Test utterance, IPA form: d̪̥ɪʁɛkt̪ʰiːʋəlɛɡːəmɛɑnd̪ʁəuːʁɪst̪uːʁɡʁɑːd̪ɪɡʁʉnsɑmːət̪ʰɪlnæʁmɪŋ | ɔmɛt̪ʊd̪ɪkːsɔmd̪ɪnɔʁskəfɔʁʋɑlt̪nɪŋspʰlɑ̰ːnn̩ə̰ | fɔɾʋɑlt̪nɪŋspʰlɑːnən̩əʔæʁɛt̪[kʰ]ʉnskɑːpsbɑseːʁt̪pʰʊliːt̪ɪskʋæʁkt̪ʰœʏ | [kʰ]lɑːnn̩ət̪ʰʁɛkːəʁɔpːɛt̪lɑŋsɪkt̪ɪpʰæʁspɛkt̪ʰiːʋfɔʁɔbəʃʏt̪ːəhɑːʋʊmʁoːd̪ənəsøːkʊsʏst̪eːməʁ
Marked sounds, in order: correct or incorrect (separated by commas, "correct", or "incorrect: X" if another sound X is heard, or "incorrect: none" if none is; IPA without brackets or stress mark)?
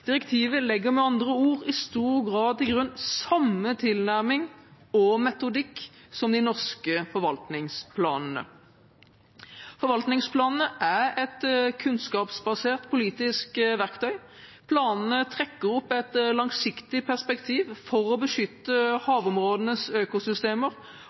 correct, incorrect: pʰ